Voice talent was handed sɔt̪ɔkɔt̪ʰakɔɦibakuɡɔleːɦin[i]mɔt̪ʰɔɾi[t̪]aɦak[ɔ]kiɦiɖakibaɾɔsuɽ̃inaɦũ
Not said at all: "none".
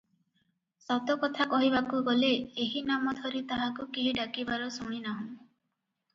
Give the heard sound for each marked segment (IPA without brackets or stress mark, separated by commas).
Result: a, t̪, u